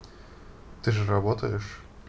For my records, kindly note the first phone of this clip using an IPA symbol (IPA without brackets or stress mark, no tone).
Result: t̪